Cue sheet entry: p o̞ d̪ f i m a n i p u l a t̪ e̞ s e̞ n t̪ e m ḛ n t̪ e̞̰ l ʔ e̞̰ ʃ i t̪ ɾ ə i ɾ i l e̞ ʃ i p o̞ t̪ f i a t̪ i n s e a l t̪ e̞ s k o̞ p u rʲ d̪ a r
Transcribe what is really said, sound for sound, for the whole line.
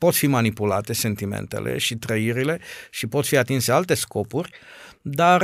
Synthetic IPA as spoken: p o̞ t̪ f i m a n i p u l a t̪ e̞ s e̞ n t̪ i m ḛ n t̪ e̞̰ l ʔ e̞̰ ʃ i t̪ ɾ ə i ɾ i l e̞ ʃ i p o̞ t̪ f i a t̪ i n s e a l t̪ e̞ s k o̞ p u rʲ d̪ a r